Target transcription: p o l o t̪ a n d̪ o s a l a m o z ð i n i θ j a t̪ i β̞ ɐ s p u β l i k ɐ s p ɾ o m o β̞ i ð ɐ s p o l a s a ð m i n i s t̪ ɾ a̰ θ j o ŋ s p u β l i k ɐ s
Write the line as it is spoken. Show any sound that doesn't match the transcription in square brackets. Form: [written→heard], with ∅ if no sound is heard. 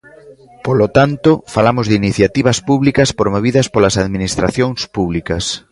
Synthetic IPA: p o l o t̪ a n [d̪→t̪] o [s→f] a l a m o z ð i n i θ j a t̪ i β̞ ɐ s p u β l i k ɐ s p ɾ o m o β̞ i ð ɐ s p o l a s a ð m i n i s t̪ ɾ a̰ θ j o ŋ s p u β l i k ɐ s

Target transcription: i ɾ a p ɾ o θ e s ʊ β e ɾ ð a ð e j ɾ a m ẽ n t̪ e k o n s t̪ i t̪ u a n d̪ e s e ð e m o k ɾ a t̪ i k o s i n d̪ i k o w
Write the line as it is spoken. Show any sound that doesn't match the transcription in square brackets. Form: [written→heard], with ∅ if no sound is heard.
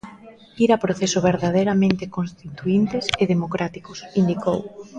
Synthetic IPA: i ɾ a p ɾ o θ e s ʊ β e ɾ ð a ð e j ɾ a m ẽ n t̪ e k o n s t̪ i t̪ u [a→i] n [d̪→t̪] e s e ð e m o k ɾ a t̪ i k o s i n d̪ i k o w

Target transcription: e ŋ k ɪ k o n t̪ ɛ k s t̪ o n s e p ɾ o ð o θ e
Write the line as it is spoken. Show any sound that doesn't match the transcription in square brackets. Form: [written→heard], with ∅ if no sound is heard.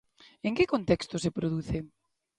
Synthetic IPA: e ŋ k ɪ k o n t̪ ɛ k s t̪ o [n→∅] s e p ɾ o ð [o→u] θ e

